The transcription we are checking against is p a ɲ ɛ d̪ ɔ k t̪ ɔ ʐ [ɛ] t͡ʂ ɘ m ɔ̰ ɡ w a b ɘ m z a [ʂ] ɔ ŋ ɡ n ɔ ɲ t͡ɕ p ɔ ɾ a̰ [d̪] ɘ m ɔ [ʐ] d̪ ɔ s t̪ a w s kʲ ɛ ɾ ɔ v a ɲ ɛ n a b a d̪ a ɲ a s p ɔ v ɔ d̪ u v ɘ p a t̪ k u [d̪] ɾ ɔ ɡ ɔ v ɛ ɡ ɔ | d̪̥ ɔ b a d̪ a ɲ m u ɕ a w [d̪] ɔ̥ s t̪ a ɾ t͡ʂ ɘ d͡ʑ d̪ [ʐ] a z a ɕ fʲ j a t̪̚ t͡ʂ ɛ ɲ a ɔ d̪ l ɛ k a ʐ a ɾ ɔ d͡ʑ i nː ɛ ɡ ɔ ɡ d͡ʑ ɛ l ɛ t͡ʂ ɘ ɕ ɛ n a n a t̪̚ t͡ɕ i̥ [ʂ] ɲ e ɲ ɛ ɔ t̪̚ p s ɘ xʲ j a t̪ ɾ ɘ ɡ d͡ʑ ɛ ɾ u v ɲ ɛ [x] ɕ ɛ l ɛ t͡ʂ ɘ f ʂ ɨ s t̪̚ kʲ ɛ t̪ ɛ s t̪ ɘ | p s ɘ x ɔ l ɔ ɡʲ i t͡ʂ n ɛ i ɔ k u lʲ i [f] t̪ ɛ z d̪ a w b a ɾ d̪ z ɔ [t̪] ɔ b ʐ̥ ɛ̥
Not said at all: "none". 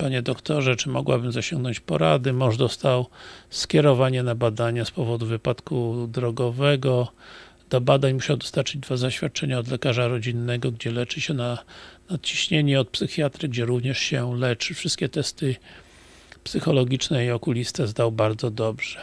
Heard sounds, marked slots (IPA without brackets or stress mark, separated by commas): ɛ, ɕ, d̪, ʐ, d̪, d̪, v, ɕ, ʂ, s, d̪